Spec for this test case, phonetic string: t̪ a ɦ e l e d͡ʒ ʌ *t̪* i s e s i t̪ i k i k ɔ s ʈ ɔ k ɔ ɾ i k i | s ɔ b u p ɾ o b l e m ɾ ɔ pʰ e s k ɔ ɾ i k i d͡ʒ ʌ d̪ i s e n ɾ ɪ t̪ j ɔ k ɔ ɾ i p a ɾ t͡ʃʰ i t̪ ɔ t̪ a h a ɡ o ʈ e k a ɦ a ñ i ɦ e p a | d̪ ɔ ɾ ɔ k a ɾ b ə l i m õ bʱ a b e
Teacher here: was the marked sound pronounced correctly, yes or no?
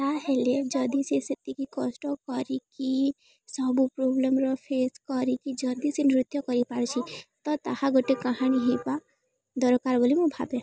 no